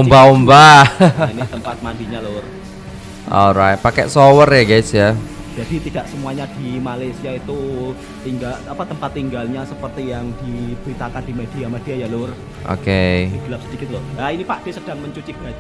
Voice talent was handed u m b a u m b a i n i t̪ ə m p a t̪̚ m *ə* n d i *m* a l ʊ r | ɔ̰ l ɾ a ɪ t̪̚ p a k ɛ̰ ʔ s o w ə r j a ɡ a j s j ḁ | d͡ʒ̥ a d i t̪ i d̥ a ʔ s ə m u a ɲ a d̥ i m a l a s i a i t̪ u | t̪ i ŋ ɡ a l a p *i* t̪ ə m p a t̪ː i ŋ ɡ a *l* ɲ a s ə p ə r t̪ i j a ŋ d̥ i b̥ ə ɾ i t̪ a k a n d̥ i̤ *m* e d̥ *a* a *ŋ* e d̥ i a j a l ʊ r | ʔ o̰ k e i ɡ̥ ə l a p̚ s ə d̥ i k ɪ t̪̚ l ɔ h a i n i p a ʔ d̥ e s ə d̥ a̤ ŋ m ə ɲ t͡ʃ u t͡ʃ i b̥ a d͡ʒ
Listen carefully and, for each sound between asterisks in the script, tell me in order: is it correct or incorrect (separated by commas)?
incorrect, incorrect, incorrect, correct, correct, incorrect, incorrect